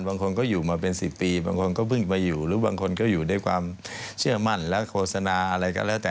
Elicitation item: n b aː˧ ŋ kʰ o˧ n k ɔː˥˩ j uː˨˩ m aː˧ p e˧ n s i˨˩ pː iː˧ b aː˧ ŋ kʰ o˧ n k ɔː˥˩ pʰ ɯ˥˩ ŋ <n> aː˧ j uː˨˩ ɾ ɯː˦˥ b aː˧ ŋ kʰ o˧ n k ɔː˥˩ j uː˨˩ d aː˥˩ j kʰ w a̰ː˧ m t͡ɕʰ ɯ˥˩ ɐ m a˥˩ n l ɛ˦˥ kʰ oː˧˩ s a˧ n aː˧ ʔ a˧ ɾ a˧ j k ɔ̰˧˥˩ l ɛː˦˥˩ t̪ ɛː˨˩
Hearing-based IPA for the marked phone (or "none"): m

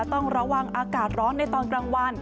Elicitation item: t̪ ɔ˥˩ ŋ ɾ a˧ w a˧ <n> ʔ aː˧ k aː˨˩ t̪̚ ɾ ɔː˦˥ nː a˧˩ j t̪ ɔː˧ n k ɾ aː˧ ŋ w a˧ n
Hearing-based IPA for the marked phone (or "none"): ŋ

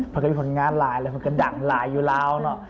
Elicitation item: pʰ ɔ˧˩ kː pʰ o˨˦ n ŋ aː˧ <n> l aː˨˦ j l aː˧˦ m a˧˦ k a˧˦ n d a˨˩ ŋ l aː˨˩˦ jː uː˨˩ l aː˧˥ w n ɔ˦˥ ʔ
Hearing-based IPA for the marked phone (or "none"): n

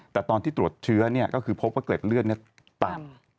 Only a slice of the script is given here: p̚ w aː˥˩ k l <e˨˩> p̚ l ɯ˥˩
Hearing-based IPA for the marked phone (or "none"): e˨˩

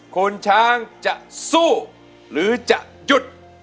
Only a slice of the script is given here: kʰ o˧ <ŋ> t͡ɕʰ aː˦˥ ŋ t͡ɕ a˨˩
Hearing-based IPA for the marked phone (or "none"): n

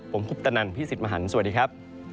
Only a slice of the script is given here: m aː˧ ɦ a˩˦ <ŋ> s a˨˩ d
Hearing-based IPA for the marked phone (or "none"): n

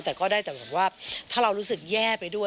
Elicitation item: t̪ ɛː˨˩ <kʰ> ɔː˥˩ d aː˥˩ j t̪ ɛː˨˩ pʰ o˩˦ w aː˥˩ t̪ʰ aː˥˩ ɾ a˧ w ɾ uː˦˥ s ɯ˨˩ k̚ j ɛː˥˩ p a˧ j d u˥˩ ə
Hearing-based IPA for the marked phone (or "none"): k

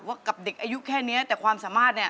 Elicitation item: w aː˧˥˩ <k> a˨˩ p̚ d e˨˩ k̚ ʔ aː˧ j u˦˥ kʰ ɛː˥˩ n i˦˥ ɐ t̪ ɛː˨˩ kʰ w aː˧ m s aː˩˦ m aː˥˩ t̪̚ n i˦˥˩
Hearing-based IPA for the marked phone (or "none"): k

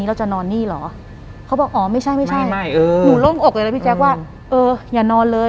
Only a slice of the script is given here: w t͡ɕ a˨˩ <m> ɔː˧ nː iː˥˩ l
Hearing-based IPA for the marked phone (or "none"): n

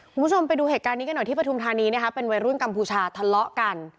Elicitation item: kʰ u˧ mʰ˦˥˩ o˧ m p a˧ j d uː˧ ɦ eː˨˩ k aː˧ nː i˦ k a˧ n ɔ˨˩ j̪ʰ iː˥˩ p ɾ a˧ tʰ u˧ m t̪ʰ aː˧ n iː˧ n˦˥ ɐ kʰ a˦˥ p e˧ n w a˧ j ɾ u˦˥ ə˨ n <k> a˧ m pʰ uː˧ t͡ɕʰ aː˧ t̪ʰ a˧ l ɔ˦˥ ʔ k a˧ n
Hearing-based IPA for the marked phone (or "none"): k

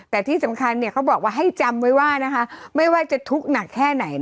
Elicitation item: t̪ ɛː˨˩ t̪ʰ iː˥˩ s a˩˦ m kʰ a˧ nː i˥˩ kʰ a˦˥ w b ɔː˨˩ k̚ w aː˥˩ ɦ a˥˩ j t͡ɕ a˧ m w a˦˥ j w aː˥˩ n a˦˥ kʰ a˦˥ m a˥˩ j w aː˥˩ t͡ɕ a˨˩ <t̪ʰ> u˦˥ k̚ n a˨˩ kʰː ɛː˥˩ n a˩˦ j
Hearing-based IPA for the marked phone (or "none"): t̪ʰ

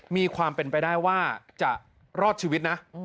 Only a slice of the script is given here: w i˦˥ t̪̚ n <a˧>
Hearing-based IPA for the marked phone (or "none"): a˦˥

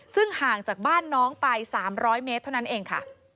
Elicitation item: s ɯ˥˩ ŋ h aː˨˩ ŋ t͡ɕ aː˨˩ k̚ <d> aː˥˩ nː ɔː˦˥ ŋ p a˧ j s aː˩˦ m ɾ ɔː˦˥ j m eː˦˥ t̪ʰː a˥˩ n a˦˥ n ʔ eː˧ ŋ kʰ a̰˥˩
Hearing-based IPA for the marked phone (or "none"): b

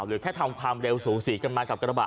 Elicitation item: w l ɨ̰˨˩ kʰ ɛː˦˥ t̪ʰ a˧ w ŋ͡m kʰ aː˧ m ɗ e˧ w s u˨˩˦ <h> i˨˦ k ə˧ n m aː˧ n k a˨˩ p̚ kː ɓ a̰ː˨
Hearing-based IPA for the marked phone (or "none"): s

